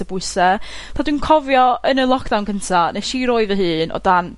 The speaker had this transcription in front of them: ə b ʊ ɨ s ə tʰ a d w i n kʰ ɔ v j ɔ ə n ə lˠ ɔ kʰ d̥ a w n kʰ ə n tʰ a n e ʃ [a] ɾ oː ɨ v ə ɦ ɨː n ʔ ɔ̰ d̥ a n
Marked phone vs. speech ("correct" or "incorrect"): incorrect